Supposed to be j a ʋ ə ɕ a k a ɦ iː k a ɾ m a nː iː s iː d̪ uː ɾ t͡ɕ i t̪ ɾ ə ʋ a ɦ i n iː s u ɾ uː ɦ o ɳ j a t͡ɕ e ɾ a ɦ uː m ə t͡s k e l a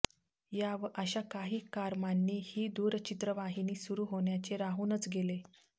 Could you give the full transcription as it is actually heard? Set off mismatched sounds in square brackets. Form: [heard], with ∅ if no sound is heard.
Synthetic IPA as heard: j a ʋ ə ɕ a k a ɦ iː k a ɾ m a nː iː [h] iː d̪ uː ɾ t͡ɕ i t̪ ɾ ə ʋ a ɦ i n iː s u ɾ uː ɦ o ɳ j a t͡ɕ e ɾ a ɦ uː [n] ə t͡s [ɡ] e l [e]